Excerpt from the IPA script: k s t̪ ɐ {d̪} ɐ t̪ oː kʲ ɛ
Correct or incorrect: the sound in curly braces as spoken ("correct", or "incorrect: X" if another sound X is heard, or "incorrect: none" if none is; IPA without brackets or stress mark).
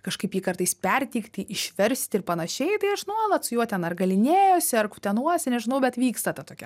incorrect: t̪